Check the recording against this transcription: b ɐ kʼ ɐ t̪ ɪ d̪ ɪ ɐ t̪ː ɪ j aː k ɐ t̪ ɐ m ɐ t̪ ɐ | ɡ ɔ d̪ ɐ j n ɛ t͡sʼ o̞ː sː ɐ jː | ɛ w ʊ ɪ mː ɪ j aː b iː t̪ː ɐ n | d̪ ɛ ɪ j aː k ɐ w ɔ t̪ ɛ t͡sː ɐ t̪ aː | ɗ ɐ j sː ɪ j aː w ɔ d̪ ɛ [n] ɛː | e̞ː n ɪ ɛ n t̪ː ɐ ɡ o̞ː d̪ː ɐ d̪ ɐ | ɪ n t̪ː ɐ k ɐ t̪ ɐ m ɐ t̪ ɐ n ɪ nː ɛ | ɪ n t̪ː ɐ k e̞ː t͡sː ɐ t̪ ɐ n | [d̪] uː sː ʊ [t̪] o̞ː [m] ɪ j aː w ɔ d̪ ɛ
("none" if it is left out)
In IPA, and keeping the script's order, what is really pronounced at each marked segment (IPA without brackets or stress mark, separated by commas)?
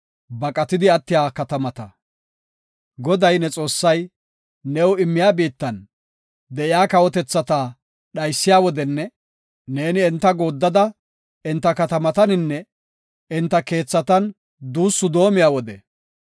nː, d̪, d̪, m